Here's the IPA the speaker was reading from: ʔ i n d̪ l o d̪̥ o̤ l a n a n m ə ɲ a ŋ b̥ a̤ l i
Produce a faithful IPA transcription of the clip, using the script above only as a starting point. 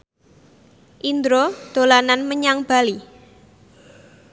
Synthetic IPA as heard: ʔ i n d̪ ɾ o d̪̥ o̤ l a n a n m ə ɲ a ŋ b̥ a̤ l i